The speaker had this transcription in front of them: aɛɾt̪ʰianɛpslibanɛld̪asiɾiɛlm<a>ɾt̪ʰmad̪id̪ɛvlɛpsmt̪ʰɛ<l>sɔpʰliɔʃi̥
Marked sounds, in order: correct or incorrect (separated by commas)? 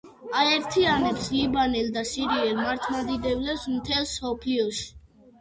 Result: correct, correct